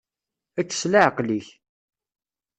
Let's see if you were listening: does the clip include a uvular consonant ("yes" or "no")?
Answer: yes